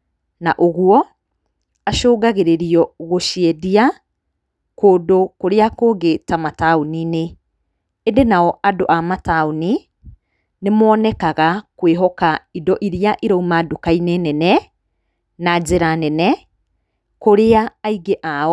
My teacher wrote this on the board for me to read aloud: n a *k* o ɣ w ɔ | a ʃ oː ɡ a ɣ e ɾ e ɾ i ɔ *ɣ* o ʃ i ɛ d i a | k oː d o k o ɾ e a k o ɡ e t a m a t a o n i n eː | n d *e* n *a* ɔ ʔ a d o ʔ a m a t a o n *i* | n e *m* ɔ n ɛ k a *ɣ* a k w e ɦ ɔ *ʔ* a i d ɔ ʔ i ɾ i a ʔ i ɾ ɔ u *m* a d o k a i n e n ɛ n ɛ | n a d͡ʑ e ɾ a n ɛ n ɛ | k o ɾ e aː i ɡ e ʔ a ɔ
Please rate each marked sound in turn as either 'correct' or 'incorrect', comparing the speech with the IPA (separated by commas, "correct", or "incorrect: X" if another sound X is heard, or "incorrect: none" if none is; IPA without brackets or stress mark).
incorrect: ʔ, correct, correct, correct, correct, correct, correct, incorrect: k, correct